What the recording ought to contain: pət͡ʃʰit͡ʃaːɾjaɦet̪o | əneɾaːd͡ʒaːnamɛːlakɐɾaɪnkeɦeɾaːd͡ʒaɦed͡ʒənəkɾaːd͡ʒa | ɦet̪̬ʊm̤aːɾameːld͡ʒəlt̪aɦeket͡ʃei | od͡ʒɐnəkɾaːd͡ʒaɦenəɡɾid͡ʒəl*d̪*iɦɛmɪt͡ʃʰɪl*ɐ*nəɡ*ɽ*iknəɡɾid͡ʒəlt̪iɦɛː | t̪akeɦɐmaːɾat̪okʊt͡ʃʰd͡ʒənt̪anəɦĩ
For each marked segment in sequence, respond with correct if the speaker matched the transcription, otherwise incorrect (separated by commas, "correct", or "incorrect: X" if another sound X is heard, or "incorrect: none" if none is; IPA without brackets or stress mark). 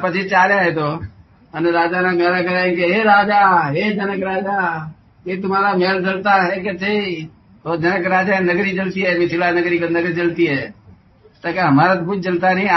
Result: incorrect: t̪, incorrect: a, incorrect: ɾ